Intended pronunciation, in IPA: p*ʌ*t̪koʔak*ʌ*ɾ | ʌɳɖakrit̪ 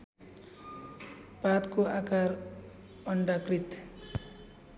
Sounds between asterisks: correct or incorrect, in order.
incorrect: a, incorrect: a

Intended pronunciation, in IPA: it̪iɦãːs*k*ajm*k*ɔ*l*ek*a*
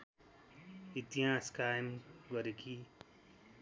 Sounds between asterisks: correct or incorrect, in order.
correct, incorrect: ɡ, incorrect: ɾ, incorrect: i

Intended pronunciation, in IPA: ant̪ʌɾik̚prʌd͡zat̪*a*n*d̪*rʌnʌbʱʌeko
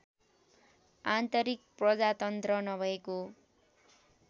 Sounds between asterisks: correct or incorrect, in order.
incorrect: ʌ, incorrect: t̪

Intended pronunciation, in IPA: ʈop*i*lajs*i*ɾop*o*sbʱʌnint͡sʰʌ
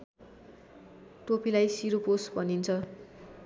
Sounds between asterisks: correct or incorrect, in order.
correct, correct, correct

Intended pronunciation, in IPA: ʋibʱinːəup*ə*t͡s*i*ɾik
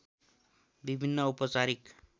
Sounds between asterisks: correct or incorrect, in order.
correct, incorrect: a

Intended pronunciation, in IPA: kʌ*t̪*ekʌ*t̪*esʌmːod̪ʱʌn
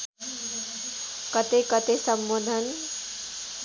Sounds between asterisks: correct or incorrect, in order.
correct, correct

